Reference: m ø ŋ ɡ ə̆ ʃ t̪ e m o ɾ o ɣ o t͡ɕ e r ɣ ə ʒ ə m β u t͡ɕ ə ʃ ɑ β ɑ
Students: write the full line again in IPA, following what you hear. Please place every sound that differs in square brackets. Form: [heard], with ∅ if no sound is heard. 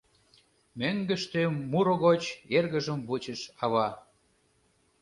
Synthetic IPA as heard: m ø ŋ ɡ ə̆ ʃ t̪ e m [u] ɾ o ɣ o t͡ɕ e r ɣ ə ʒ ə m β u t͡ɕ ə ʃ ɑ β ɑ

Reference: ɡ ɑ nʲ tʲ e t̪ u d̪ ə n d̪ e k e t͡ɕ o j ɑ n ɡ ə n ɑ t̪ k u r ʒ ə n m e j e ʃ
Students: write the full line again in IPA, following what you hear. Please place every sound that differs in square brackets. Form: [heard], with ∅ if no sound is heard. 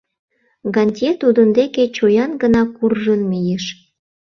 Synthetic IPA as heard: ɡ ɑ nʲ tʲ e t̪ u d̪ ə n d̪ e k e t͡ɕ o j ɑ n ɡ ə n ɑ [∅] k u r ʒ ə n m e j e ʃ

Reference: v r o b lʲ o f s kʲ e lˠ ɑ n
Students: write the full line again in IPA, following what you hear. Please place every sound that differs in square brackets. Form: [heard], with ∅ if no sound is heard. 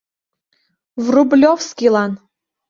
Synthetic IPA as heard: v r [u] b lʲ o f s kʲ [i] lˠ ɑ n

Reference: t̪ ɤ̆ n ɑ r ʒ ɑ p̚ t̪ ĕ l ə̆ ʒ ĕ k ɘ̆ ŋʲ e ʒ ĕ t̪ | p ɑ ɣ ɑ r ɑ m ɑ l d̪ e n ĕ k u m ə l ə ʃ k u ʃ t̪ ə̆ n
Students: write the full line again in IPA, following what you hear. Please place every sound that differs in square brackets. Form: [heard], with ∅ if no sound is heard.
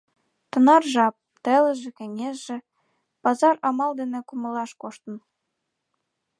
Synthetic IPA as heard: t̪ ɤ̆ n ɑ r ʒ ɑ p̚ t̪ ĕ l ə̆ ʒ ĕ k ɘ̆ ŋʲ e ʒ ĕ [∅] | p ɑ [z] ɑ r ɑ m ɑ l d̪ e n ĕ k u m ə l [ɑ] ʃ k [o] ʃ t̪ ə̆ n

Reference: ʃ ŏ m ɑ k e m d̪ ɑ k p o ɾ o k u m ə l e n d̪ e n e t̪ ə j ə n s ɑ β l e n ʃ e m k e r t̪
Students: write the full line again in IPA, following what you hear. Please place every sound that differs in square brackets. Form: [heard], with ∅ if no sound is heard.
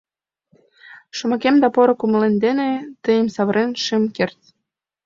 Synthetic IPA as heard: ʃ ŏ m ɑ k e m d̪ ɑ [∅] p o ɾ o k u m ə l e n d̪ e n e t̪ ə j ə [m] s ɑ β [ɾ] e n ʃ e m k e r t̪

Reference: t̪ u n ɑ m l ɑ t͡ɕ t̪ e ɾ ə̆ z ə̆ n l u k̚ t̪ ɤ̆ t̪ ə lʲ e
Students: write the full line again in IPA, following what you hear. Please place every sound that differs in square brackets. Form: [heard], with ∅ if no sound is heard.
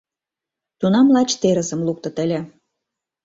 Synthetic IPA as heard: t̪ u n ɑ m l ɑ t͡ɕ t̪ e ɾ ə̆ z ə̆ [m] l u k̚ t̪ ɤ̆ t̪ ə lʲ e

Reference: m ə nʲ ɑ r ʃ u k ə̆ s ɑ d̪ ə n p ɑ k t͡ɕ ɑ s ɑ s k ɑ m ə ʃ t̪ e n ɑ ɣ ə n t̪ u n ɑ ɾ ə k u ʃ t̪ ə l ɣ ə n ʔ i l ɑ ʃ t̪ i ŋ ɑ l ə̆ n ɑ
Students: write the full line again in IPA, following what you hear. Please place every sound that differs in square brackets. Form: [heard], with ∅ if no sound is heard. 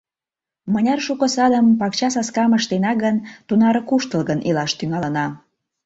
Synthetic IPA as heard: m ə nʲ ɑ r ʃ u k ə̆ s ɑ d̪ ə [m] p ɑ k t͡ɕ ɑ s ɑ s k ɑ m ə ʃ t̪ e n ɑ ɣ ə n t̪ u n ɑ ɾ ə k u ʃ t̪ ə l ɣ ə n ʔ i l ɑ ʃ t̪ [y] ŋ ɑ l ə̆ n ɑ

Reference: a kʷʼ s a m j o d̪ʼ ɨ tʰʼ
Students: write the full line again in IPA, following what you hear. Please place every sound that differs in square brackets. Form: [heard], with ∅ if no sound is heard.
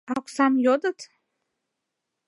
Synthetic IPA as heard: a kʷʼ s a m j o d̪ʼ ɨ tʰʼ

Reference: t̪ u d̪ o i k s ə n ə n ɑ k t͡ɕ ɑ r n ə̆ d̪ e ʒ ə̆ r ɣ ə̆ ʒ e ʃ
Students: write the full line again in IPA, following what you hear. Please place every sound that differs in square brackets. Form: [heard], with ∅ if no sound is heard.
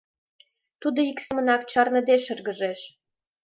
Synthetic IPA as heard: t̪ u d̪ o i k s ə [m] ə n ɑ k t͡ɕ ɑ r n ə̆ d̪ e [ʃ] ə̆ r ɣ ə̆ ʒ e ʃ

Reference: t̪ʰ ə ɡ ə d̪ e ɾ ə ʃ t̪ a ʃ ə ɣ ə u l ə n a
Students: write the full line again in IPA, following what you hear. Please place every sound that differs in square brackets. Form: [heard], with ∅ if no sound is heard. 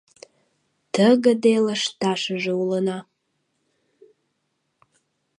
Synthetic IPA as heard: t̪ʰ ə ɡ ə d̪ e [l] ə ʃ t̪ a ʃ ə [ʒ] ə u l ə n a

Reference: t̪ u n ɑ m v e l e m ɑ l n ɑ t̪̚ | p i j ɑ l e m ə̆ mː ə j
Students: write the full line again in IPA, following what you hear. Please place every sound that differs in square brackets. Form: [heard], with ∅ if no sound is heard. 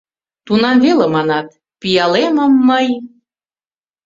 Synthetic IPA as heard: t̪ u n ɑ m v e l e m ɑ [∅] n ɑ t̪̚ | p i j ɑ l e m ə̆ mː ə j

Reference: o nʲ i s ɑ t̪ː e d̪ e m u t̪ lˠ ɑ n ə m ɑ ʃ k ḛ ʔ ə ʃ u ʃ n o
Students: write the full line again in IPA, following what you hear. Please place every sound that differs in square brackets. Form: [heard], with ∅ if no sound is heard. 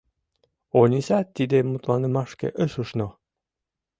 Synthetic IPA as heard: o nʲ i s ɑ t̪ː [i] d̪ e m u t̪ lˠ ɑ n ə m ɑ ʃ k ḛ ʔ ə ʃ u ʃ n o

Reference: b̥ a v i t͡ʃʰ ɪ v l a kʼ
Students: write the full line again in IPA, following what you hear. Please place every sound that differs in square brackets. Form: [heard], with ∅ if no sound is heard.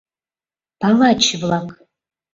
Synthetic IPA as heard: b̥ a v [a] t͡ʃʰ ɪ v l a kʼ

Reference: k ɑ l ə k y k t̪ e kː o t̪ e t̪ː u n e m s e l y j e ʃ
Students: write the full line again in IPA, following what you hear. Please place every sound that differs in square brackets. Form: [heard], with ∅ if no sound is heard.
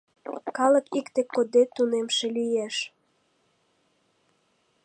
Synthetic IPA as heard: k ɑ l ə k [i] k t̪ e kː o [d̪] e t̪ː u n e m [ʃ] e l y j e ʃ

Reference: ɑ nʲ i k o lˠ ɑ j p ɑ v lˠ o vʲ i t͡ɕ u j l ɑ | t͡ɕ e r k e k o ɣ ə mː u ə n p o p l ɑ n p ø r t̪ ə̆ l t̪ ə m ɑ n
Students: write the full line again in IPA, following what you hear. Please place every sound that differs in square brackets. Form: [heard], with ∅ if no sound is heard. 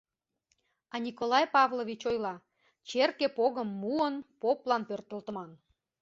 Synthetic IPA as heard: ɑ nʲ i k o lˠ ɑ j p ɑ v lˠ o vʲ i t͡ɕ [o] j l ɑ | t͡ɕ e r k e [p] o ɣ ə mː u ə n p o p l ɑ n p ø r t̪ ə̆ l t̪ ə m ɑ n

